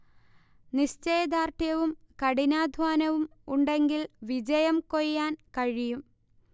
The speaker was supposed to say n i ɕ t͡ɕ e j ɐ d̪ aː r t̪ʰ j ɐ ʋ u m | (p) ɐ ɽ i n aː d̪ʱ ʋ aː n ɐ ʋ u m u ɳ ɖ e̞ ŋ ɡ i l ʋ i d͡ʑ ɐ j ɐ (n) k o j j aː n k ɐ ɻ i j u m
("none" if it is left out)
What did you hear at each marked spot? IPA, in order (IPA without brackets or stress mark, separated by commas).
k, m